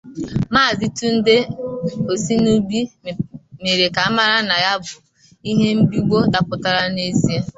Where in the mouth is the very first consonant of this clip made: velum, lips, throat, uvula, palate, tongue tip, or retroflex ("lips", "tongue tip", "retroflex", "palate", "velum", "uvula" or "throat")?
lips